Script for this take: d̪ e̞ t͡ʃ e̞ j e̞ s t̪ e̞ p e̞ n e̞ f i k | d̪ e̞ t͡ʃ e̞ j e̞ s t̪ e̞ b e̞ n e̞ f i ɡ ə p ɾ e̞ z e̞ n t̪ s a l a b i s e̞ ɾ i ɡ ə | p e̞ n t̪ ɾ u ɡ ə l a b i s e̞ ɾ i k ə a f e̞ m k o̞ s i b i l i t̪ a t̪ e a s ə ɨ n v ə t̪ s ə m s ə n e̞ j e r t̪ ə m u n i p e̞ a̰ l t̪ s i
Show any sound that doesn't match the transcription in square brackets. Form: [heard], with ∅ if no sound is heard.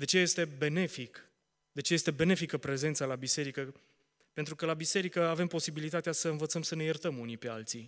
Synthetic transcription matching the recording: d̪ e̞ t͡ʃ e̞ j e̞ s t̪ e̞ [b] e̞ n e̞ f i k | d̪ e̞ t͡ʃ e̞ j e̞ s t̪ e̞ b e̞ n e̞ f i [k] ə p ɾ e̞ z e̞ n t̪ s a l a b i s e̞ ɾ i [k] ə | p e̞ n t̪ ɾ u [k] ə l a b i s e̞ ɾ i k ə a [v] e̞ m [p] o̞ s i b i l i t̪ a t̪ e a s ə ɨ n v ə t̪ s ə m s ə n e̞ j e r t̪ ə m u n i p e̞ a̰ l t̪ s i